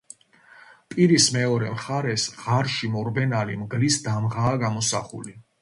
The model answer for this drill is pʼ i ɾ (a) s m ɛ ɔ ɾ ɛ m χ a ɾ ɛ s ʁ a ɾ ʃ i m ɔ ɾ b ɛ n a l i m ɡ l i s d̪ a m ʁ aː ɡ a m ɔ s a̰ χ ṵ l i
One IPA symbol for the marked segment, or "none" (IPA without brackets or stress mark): i